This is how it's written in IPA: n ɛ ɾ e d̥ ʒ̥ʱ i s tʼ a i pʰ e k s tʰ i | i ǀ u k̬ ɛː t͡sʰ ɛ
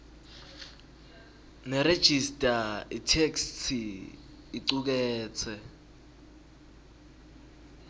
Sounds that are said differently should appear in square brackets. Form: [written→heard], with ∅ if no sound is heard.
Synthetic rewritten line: n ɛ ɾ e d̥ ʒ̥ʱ i s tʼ a i [pʰ→tʰ] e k s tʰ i | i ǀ u k̬ ɛː t͡sʰ ɛ